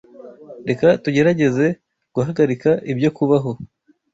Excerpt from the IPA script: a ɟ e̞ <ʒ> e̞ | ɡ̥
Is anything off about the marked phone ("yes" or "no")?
yes